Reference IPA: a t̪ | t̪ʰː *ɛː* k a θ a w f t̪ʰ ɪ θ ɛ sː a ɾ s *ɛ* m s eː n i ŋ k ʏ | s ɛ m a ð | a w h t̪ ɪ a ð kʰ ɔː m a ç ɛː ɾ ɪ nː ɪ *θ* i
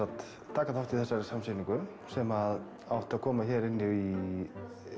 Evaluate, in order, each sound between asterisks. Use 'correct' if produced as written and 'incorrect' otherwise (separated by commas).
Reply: incorrect, incorrect, incorrect